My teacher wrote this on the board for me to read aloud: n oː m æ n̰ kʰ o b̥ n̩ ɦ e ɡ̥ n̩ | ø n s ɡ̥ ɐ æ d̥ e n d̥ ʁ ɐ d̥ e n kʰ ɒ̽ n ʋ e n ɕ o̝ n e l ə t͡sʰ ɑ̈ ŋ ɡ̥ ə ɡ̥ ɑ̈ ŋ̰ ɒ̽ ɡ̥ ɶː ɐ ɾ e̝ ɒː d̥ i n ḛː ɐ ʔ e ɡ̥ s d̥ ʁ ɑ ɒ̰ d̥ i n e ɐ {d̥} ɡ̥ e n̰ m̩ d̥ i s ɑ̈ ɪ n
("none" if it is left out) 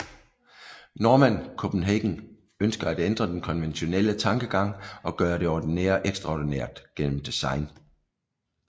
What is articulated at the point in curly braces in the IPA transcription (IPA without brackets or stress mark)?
d̥